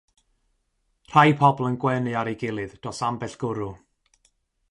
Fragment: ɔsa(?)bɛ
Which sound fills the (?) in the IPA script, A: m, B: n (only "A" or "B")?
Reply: A